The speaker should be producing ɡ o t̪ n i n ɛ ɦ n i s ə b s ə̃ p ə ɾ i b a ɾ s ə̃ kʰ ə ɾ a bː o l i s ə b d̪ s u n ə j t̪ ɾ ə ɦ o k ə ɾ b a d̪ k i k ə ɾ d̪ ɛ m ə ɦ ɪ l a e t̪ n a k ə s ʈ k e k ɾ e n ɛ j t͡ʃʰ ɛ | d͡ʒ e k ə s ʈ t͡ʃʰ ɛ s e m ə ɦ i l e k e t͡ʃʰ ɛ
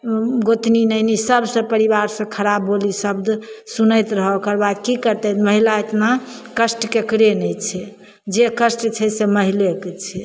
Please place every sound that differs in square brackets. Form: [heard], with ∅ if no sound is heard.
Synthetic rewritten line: ɡ o t̪ n i n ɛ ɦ n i s ə b s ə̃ p ə ɾ i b a ɾ s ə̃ kʰ ə ɾ a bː o l i s ə b d̪ s u n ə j t̪ ɾ ə ɦ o k ə ɾ b a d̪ k i k ə ɾ [t̪] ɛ m ə ɦ [i] l a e t̪ n a k ə s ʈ k e k ɾ e n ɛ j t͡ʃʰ ɛ | d͡ʒ e k ə s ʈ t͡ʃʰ ɛ s e m ə ɦ i l e k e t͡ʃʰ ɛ